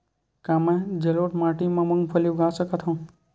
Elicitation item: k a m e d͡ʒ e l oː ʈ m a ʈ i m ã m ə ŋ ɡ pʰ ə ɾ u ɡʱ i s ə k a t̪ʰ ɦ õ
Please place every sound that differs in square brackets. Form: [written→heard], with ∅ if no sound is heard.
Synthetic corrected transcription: k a m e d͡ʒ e l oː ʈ m a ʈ i m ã m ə ŋ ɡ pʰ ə [ɾ→l] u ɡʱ [i→a] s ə k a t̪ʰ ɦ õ